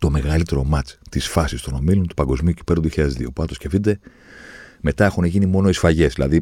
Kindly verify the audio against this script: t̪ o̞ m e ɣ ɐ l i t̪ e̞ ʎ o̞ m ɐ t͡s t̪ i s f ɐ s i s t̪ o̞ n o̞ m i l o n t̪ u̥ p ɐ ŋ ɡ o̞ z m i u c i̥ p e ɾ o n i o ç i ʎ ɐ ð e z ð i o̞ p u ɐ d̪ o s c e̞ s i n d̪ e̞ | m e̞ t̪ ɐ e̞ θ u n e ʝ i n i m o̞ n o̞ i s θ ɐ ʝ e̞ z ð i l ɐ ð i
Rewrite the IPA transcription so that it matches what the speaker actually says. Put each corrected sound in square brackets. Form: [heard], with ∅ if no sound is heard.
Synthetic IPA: t̪ o̞ m e ɣ ɐ l i t̪ e̞ [ɾ] o̞ m ɐ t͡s t̪ i s f ɐ s i s t̪ o̞ n o̞ m i l o n t̪ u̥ p ɐ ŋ ɡ o̞ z m i u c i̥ p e ɾ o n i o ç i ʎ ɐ ð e z ð i o̞ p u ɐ [t̪] o s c e̞ [f] i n d̪ e̞ | m e̞ t̪ ɐ e̞ [x] u n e ʝ i n i m o̞ n o̞ i s [f] ɐ ʝ e̞ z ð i l ɐ ð i